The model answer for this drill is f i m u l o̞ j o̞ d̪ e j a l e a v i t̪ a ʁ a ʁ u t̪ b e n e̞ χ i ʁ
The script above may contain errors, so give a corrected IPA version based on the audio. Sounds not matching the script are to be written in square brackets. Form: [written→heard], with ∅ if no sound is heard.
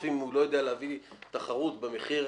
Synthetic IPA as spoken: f i m u l o̞ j o̞ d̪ e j a l e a v i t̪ a [ʁ→χ] a ʁ u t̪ b e [n→m] e̞ χ i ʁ